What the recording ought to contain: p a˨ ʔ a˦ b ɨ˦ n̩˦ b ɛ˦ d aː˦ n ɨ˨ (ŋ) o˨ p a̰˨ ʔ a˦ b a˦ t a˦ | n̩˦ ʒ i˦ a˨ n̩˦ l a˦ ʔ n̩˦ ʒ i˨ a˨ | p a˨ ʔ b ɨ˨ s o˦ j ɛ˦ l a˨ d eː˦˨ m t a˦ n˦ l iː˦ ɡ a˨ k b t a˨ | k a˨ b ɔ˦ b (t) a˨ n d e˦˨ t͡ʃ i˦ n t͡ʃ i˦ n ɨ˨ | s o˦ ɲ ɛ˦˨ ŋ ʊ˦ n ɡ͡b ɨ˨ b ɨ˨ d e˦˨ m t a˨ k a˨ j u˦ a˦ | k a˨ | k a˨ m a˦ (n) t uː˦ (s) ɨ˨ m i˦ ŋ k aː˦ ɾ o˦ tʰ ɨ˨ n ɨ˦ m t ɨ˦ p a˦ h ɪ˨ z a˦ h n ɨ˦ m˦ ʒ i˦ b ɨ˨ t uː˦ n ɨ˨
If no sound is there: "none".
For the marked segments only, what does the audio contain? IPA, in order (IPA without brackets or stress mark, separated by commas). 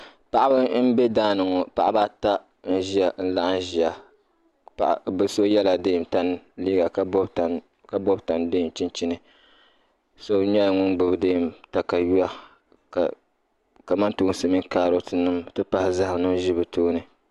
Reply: ŋ, t, n, s